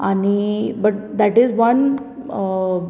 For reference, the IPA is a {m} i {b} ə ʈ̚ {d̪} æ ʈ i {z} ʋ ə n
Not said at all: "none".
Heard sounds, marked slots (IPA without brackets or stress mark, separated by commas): n, b, d̪, z